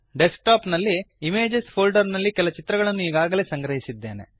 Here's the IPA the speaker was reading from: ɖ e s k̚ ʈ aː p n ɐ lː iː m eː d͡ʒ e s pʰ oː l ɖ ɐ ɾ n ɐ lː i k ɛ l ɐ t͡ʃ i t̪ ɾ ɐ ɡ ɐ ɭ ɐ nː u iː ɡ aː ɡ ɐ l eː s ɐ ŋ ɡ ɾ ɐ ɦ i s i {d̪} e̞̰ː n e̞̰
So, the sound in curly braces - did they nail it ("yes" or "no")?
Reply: no